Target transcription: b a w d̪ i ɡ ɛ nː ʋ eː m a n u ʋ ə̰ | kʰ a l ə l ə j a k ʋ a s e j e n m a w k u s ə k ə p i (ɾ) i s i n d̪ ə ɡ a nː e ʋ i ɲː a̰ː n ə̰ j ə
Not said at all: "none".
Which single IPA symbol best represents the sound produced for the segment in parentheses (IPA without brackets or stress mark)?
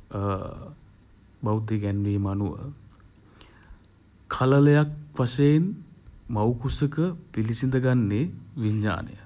l